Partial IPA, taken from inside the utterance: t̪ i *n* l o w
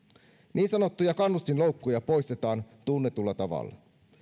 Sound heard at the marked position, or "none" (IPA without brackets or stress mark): n